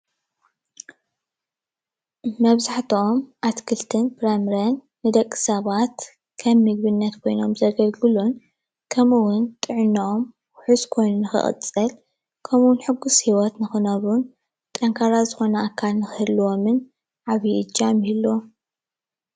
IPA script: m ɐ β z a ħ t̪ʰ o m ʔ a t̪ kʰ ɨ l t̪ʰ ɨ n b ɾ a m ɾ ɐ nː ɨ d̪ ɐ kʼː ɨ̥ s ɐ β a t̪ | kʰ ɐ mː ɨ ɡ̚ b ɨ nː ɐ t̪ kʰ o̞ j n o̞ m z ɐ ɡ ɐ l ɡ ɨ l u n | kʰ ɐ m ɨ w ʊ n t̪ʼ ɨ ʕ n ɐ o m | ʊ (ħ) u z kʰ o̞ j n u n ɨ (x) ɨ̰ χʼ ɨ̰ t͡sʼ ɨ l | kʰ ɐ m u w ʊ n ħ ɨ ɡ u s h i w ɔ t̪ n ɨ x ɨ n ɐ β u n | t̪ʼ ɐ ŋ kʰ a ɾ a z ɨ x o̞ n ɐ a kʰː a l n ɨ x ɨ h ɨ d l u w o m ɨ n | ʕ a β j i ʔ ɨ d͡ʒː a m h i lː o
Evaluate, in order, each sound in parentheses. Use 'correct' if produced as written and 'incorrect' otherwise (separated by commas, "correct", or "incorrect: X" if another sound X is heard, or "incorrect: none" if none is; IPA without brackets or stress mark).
correct, correct